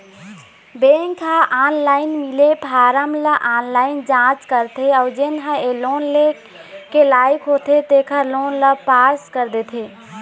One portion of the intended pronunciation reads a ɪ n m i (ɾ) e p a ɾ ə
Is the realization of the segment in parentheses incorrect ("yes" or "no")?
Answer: yes